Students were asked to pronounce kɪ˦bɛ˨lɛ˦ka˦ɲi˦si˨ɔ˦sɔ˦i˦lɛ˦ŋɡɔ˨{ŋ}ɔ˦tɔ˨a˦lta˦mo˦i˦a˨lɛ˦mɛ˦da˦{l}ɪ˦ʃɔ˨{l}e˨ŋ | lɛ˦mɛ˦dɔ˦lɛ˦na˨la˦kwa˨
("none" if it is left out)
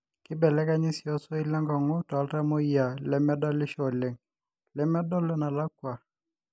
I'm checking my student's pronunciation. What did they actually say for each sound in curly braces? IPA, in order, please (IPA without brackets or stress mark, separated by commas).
ŋ, l, l